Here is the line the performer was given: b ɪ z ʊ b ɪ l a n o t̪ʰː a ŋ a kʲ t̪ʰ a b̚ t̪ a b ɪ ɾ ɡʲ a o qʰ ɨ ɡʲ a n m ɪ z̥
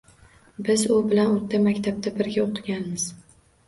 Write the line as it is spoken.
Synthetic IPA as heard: b ɪ z ʊ b ɪ l a n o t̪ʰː a m a kʲ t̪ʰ a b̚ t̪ a b ɪ ɾ ɡʲ a o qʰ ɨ ɡʲ a n m ɪ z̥